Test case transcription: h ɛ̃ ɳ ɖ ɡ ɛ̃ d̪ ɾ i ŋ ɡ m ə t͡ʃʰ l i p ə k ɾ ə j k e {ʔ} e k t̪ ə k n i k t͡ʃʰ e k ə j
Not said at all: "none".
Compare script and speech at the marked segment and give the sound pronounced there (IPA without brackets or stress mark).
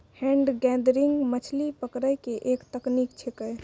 ʔ